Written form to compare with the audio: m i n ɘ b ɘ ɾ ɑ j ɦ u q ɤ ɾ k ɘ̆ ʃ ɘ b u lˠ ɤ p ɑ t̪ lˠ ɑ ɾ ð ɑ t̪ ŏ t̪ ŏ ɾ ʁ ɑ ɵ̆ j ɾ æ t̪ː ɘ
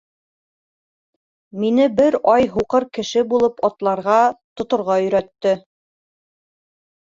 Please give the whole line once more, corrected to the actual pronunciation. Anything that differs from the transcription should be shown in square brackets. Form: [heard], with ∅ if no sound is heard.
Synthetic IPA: m i n ɘ b ɘ ɾ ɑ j ɦ u q ɤ ɾ k ɘ̆ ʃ ɘ b u lˠ ɤ p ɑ t̪ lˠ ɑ ɾ [ʁ] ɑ t̪ ŏ t̪ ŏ ɾ ʁ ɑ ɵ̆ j ɾ æ t̪ː ɘ